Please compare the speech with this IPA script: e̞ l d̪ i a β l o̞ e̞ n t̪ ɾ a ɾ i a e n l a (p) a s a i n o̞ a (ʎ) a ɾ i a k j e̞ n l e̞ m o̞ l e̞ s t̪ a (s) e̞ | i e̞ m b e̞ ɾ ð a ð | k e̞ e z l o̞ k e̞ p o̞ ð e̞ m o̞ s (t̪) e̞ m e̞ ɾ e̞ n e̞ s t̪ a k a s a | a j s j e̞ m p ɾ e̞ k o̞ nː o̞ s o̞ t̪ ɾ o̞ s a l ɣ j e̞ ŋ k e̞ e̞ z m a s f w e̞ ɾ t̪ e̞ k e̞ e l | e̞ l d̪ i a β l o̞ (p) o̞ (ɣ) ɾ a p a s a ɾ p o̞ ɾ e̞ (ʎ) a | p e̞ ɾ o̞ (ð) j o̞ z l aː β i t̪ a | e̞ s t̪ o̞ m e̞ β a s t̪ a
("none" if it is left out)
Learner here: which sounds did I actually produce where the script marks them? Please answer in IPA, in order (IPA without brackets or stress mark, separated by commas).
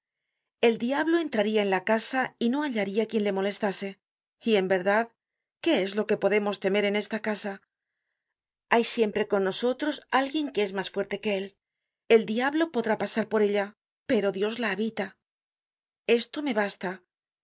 k, ʎ, s, t̪, p, ð, ʎ, ð